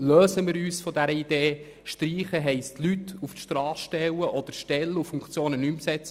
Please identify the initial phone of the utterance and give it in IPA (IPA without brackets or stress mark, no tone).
l